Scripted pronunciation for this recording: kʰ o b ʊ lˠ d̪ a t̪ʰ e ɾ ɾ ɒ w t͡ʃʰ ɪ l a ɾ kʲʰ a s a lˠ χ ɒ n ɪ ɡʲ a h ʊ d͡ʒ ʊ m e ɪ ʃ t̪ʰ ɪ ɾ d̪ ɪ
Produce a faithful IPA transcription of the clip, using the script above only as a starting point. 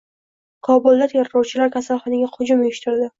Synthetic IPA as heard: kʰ ɒ b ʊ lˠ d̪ a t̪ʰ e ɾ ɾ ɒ w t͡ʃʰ ɪ l a ɾ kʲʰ a s a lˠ χ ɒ n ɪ ɡʲ a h ʊ d͡ʒ ʊ m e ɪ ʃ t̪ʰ ɪ ɾ d̪ ɪ